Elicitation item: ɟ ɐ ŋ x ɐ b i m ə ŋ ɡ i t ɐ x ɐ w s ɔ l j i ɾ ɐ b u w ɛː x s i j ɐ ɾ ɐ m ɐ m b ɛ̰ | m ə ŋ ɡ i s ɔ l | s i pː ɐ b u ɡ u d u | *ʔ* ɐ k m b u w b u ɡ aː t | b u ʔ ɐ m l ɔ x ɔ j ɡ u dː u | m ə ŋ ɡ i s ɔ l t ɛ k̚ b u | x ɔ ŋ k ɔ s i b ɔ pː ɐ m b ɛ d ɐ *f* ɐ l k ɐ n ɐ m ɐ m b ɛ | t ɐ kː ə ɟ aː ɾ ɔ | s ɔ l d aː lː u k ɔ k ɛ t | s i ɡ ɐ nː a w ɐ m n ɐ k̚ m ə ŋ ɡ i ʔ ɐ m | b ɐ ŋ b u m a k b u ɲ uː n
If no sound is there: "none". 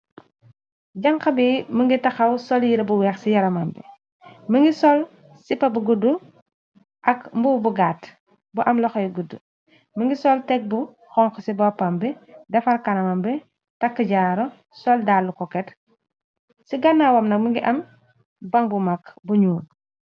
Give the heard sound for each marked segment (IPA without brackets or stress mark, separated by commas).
ʔ, f